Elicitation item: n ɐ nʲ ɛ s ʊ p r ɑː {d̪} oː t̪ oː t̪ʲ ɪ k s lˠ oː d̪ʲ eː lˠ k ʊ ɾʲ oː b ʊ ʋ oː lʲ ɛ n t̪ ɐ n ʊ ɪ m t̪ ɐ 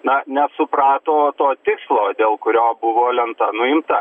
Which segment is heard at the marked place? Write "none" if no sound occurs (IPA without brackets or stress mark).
t̪